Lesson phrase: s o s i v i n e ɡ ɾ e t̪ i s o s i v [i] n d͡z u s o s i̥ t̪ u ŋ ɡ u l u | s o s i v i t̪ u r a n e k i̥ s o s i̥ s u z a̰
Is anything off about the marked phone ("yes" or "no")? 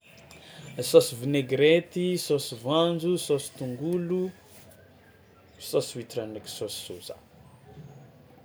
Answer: yes